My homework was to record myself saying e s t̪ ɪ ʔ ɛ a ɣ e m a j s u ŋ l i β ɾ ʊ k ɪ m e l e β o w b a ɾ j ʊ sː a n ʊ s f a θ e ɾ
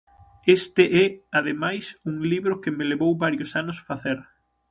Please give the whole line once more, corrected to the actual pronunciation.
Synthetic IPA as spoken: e s t̪ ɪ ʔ ɛ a ð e m a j s u ŋ l i β ɾ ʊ k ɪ m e l e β o w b a ɾ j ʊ s a n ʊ s f a θ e ɾ